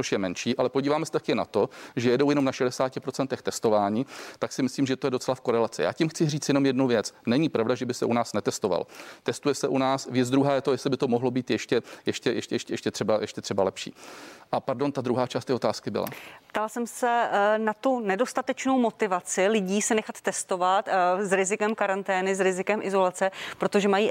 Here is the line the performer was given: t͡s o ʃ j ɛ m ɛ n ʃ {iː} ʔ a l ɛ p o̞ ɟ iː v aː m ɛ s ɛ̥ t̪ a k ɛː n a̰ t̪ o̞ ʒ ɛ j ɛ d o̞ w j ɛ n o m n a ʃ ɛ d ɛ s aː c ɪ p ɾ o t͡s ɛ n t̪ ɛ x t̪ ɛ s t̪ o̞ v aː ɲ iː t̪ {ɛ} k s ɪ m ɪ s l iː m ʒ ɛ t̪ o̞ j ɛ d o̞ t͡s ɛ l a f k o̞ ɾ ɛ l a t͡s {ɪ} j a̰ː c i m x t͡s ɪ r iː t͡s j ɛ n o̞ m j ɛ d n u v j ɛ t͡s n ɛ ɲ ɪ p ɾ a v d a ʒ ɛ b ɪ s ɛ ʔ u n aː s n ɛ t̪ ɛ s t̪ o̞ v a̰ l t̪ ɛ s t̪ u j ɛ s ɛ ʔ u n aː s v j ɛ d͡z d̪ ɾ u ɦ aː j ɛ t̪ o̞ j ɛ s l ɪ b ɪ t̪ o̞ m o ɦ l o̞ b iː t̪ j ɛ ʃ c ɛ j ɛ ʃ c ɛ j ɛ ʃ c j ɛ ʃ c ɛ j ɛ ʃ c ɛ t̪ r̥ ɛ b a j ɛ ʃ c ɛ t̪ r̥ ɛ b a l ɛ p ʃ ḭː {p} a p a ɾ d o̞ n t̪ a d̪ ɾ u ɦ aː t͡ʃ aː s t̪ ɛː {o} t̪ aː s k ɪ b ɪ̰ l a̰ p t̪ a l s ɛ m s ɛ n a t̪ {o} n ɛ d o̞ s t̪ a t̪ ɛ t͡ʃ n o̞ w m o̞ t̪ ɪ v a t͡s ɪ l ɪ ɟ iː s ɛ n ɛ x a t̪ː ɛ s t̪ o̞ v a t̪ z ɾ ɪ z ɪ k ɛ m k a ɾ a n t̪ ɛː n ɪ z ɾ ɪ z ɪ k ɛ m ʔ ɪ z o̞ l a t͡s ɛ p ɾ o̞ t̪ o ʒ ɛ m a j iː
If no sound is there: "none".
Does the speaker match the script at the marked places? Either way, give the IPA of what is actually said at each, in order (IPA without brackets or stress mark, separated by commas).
iː, a, ɪ, ʔ, o, u